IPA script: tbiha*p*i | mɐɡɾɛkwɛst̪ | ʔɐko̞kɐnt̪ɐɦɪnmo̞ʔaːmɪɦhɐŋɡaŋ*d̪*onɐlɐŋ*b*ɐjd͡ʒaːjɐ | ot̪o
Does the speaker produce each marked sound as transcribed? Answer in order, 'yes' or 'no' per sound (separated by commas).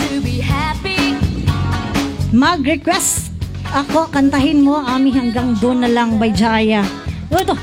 yes, yes, yes